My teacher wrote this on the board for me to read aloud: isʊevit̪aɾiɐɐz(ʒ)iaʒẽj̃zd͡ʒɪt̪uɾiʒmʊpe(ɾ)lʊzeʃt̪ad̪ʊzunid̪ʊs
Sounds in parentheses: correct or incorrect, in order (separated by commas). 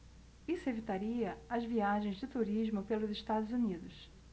incorrect, incorrect